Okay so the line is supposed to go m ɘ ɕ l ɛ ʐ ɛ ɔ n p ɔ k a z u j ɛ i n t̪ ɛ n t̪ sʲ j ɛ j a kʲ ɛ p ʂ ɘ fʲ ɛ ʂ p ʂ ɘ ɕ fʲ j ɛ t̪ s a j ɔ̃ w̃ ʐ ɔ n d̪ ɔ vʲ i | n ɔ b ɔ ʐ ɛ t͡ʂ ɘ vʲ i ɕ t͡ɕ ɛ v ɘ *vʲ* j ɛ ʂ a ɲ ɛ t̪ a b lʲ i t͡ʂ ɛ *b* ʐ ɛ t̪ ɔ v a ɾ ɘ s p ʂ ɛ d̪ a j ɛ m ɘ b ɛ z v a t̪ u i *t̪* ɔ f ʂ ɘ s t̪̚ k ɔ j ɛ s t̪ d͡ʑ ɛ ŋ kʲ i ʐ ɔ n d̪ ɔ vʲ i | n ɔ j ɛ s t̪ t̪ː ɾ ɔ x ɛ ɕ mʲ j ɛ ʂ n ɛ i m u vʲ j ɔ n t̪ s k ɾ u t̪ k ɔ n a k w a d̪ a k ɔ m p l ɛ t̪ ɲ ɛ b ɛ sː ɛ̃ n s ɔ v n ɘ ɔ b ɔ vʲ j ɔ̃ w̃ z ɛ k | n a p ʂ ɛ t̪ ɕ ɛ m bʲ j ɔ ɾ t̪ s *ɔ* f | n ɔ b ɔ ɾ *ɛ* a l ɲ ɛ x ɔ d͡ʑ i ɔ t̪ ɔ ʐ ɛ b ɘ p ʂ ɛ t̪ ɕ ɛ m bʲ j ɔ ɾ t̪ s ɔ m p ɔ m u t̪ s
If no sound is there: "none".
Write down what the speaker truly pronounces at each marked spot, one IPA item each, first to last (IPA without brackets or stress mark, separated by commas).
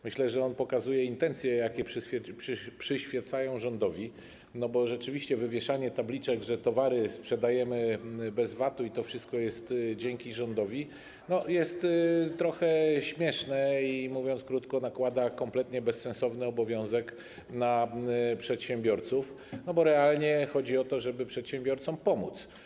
vʲ, ɡ, t̪, u, ɛ